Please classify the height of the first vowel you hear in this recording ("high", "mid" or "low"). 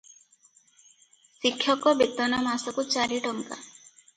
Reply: high